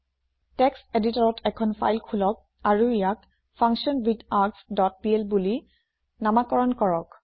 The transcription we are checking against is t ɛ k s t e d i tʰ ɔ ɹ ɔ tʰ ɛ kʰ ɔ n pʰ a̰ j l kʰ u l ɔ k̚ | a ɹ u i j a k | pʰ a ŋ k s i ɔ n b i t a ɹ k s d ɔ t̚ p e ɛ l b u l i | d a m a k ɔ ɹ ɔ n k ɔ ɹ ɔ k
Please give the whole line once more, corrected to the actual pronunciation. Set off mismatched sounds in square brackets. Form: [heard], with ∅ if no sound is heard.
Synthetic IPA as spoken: t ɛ k s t e d i [t] ɔ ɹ ɔ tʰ ɛ kʰ ɔ n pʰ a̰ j l kʰ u l ɔ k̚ | a ɹ u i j a k | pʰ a ŋ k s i ɔ n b i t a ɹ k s d ɔ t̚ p [i] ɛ l b u l i | [n] a m a k ɔ ɹ ɔ n k ɔ ɹ ɔ k